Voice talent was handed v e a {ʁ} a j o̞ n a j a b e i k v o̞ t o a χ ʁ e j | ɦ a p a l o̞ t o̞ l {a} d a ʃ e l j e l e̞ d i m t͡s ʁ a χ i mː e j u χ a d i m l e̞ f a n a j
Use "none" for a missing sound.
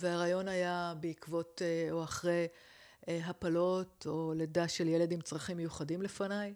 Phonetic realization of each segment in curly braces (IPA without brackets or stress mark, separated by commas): ʁ, e